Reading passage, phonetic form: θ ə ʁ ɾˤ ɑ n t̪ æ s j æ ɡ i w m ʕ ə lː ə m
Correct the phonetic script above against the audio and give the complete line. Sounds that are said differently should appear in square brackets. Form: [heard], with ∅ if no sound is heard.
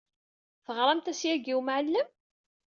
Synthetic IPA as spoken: θ ə ʁ ɾˤ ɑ [m] t̪ æ s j æ ɡ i w m ʕ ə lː ə m